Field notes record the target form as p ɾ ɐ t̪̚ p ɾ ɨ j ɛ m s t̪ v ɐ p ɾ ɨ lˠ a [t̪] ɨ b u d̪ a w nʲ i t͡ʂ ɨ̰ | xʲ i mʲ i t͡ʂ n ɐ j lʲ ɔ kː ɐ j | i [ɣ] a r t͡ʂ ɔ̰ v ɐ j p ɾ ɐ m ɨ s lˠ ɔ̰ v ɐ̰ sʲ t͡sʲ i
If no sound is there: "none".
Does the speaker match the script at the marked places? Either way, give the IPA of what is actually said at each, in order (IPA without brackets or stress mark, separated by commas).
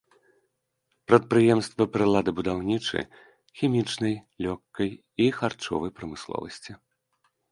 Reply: d̪, x